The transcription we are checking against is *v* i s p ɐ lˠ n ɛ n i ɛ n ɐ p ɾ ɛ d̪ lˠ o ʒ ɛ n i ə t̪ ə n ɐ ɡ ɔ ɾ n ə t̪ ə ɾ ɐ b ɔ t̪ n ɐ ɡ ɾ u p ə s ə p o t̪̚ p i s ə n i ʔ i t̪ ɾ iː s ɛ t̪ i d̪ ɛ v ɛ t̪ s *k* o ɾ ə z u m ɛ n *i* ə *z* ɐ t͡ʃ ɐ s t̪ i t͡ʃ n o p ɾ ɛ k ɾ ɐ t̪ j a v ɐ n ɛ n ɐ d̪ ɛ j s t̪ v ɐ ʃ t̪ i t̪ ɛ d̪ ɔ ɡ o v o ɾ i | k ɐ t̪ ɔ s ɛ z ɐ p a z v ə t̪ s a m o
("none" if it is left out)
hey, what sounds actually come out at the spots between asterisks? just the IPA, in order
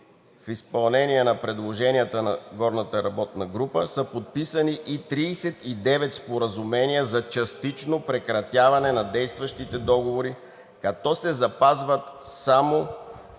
f, p, i, z

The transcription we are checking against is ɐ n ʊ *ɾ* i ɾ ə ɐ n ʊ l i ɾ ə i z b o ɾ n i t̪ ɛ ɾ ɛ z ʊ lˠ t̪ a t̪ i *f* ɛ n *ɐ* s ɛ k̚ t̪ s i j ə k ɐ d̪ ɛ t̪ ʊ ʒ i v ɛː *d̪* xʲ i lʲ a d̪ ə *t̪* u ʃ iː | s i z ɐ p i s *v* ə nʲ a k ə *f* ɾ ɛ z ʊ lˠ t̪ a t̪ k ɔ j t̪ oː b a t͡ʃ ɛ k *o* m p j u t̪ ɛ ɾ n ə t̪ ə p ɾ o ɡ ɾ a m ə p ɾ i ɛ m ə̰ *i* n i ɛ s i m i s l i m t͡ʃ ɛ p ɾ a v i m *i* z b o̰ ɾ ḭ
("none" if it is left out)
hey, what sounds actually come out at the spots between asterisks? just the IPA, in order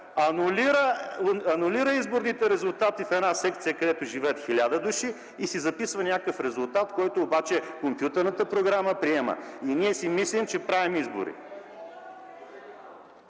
l, f, a, t̪, d̪, v, f, o, i, i

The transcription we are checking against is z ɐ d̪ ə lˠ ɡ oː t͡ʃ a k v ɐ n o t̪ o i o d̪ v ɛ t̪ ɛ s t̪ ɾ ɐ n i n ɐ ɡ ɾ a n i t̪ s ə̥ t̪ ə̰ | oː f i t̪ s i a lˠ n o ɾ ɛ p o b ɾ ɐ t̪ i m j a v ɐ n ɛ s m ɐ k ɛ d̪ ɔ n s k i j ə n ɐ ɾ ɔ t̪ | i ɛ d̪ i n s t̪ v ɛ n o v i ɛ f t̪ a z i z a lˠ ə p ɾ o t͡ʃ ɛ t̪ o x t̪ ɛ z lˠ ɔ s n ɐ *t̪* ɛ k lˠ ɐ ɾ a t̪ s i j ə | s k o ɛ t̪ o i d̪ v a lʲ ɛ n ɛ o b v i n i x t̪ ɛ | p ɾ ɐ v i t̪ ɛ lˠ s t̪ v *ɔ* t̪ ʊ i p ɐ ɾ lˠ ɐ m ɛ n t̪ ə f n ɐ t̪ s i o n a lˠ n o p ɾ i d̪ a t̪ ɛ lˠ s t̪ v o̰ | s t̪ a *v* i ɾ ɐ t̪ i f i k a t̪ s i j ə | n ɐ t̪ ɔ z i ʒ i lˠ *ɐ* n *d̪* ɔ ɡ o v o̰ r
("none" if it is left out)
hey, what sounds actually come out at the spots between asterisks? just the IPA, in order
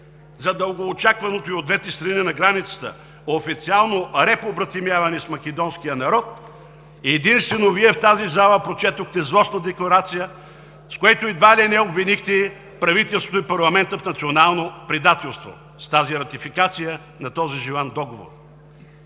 d̪, o, z, a, d̪

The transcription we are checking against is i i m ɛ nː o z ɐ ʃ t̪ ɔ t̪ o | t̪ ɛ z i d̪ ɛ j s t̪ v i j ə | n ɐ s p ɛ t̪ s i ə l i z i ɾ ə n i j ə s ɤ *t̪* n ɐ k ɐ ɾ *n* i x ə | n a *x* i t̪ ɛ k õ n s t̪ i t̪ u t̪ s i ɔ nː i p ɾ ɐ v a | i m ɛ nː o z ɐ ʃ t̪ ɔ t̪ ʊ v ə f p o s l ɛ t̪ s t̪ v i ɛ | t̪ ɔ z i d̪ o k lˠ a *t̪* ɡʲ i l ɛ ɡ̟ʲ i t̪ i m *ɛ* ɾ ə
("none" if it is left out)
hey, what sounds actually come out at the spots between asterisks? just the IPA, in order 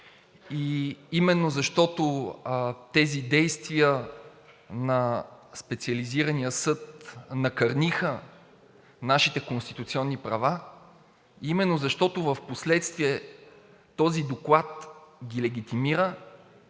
t̪, n, ʃ, t̪, i

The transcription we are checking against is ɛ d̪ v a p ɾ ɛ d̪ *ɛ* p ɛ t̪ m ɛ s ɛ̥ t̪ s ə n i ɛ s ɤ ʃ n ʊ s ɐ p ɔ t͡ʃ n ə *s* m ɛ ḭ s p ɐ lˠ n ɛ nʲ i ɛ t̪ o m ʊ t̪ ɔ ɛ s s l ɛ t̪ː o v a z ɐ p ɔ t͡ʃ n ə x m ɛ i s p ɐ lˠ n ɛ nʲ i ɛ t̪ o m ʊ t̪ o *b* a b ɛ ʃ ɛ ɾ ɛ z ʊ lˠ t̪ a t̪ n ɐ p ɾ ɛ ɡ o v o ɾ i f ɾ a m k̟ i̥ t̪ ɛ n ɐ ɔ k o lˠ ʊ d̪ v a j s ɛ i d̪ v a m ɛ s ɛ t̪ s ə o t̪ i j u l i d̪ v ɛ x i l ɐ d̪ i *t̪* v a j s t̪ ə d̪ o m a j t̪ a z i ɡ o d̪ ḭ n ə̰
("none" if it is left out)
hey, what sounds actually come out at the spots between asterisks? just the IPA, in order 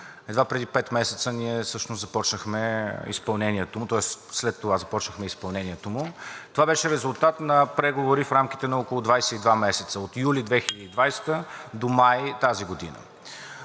i, x, v, d̪

